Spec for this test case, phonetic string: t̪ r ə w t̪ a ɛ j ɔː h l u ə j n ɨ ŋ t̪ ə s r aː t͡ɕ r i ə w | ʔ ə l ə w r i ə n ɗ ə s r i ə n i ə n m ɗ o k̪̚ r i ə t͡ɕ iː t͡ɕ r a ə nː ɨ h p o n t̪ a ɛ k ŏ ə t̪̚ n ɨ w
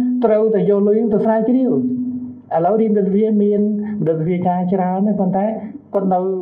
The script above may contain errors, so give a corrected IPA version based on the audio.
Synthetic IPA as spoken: t̪ r ə w t̪ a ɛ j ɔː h l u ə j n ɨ ŋ t̪ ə s r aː t͡ɕ r i ə w | ʔ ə l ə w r i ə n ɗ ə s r i ə m i ə n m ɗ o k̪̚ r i ə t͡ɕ aː t͡ɕ r a ə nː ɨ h p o n t̪ a ɛ k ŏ ə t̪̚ n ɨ w

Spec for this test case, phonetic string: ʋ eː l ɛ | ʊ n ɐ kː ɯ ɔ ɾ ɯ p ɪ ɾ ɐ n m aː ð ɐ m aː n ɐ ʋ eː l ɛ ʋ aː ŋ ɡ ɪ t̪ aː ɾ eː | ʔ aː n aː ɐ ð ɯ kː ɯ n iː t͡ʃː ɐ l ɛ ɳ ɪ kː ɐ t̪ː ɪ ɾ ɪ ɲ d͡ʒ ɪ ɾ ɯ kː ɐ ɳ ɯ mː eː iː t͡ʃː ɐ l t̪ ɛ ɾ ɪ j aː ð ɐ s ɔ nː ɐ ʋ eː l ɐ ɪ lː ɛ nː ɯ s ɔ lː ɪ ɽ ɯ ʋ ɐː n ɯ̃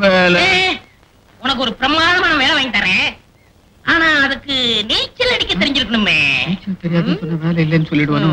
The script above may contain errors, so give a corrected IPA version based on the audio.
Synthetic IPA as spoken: ʋ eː l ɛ | ʊ n ɐ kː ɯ ɔ ɾ ɯ p ɪ ɾ ɐ m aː ð ɐ m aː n ɐ ʋ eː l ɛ ʋ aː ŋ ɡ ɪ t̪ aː ɾ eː | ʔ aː n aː ɐ ð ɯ kː ɯ n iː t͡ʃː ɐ l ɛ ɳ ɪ kː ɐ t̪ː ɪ ɾ ɪ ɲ d͡ʒ ɪ ɾ ɯ kː ɐ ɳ ɯ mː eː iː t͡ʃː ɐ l t̪ ɛ ɾ ɪ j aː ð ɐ s ɔ nː ɐ ʋ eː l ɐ ɪ lː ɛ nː ɯ s ɔ lː ɪ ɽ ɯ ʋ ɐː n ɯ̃

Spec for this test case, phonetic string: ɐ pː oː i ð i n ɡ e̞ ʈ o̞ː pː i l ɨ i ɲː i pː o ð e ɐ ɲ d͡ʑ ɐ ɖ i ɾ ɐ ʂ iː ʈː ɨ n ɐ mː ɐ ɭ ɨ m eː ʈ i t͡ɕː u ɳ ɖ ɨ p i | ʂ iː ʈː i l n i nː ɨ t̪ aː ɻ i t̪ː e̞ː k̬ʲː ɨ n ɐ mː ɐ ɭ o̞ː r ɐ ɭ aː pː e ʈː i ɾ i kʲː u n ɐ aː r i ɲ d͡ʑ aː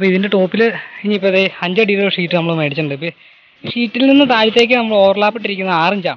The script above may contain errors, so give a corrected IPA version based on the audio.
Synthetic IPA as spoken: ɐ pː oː i ð i n d e̞ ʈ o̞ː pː i l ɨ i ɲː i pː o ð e ɐ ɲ d͡ʑ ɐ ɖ i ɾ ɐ ʂ iː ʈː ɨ n ɐ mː ɐ ɭ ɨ m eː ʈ i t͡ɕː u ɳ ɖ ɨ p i | ʂ iː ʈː i l n i nː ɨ t̪ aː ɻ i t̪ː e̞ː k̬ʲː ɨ n ɐ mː ɐ ɭ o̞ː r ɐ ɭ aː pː e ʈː i ɾ i kʲː u nː ɐ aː r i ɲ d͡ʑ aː

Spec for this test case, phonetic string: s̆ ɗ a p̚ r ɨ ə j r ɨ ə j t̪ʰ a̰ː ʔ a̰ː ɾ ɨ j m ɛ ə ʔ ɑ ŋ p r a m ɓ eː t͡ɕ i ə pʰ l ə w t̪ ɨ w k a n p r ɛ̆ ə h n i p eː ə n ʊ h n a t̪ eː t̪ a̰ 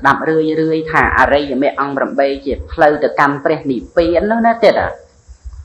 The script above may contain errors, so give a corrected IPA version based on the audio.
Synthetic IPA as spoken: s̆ ɗ a p̚ r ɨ ə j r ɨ ə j t̪ʰ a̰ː ʔ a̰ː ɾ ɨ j m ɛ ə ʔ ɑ ŋ p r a m ɓ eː t͡ɕ i ə pʰ l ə w t̪ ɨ w k a n p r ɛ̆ ə h n i p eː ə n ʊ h n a t̪ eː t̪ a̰

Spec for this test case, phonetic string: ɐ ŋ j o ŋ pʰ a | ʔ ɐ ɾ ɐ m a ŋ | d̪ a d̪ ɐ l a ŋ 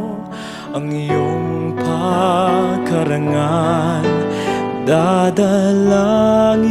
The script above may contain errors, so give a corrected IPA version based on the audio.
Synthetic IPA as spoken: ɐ ŋ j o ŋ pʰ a | k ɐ ɾ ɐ ŋ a n | d̪ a d̪ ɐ l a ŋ

